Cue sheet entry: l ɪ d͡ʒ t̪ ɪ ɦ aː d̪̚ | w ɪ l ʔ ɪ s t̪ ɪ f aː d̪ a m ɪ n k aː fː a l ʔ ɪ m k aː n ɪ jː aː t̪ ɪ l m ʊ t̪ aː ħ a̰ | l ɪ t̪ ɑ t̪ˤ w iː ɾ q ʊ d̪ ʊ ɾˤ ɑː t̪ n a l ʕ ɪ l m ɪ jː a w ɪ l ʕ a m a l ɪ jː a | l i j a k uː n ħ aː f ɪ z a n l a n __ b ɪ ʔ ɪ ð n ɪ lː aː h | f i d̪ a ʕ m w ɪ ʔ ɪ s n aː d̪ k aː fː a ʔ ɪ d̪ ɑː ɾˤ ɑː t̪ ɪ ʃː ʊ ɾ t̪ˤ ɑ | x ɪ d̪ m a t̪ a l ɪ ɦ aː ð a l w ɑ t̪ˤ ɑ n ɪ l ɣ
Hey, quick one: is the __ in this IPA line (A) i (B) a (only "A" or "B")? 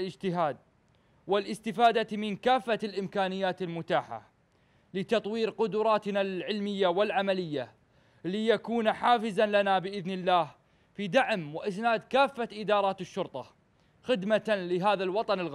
B